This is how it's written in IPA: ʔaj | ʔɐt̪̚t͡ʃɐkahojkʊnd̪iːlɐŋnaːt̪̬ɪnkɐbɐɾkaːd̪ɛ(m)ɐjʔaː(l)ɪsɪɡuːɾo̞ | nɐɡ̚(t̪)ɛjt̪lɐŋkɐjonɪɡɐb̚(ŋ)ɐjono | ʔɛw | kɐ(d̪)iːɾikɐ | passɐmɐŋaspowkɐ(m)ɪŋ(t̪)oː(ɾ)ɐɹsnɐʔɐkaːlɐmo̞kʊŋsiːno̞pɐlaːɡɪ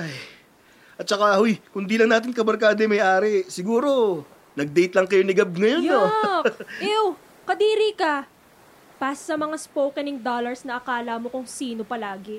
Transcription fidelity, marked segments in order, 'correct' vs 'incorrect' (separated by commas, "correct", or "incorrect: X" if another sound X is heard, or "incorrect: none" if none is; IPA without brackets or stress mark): correct, incorrect: ɾ, incorrect: d̪, correct, correct, incorrect: n, incorrect: d̪, incorrect: l